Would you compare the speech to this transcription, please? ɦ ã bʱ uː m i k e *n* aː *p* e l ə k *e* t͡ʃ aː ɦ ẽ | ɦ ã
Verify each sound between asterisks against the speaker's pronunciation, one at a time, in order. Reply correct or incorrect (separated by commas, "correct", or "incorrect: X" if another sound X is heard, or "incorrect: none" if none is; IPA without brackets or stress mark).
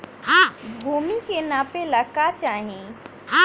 correct, correct, incorrect: a